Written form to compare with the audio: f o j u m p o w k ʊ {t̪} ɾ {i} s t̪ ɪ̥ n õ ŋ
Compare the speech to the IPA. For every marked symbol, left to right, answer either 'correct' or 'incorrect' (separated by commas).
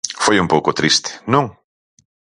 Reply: correct, correct